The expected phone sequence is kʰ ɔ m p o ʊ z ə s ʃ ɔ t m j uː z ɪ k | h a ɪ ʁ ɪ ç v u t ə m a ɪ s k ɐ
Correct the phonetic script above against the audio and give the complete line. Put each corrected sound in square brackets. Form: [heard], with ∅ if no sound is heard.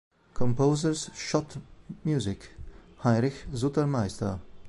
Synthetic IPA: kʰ ɔ m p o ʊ z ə s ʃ ɔ t m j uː z ɪ k | h a ɪ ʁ ɪ ç [z] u t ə m a ɪ s [t] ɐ